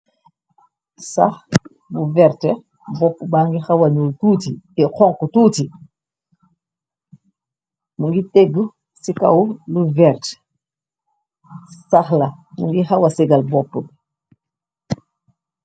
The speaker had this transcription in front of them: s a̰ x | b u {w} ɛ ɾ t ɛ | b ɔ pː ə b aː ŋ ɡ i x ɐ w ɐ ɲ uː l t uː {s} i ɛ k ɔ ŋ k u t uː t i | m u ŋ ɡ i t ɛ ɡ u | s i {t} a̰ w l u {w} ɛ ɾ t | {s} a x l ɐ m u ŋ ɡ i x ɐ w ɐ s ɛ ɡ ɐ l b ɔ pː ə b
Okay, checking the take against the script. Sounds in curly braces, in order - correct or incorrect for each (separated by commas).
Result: incorrect, incorrect, incorrect, incorrect, correct